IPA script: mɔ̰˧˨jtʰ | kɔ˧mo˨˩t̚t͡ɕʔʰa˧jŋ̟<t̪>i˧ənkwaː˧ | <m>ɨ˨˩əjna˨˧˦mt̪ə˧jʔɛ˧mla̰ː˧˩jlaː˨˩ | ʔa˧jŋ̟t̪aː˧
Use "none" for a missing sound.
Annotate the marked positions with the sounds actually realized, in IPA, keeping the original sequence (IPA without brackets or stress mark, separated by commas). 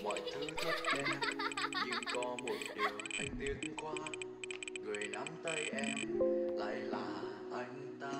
t̪, ŋ